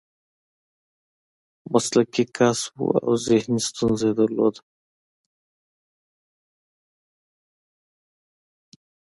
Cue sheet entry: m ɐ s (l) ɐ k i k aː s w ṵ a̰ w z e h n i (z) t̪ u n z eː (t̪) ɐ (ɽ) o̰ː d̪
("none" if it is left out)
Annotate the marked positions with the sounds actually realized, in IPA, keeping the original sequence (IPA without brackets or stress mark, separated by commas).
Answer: l, s, d̪, l